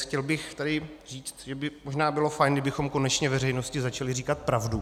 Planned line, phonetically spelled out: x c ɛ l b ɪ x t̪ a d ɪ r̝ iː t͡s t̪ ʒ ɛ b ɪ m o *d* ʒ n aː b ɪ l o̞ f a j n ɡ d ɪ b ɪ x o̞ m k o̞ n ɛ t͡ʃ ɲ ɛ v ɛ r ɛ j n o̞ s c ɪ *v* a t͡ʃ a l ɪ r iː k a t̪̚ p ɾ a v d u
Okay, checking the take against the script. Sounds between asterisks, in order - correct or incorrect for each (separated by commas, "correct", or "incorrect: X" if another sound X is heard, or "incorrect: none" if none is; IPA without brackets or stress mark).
incorrect: none, incorrect: z